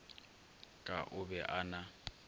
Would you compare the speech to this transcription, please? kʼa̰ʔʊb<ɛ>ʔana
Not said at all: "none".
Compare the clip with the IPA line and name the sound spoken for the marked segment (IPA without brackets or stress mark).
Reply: ɛ